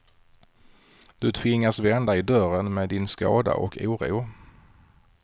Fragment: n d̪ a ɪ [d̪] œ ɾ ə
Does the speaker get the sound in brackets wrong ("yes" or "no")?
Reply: no